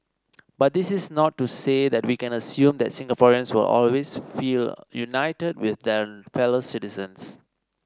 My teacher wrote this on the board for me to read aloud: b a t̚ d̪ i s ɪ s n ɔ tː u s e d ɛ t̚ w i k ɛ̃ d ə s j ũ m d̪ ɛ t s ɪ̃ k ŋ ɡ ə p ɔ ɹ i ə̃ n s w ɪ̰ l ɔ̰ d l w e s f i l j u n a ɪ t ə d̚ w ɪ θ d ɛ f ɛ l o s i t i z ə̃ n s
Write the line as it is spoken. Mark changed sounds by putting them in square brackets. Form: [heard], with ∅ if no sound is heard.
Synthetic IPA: b a t̚ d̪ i s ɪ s n ɔ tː u s e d ɛ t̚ w i k ɛ̃ [n] ə s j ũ m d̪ ɛ t s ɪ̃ [∅] ŋ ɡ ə p ɔ ɹ i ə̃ n s w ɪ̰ l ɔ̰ [∅] l w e s f i l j u n a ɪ t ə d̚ w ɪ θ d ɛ f ɛ l o s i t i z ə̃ n s